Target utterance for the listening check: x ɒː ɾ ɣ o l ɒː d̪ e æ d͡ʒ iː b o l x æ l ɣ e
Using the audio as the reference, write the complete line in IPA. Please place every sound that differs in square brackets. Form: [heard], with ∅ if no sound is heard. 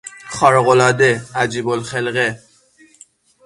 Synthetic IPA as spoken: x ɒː ɾ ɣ o l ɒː d̪ e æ d͡ʒ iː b o l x [e] l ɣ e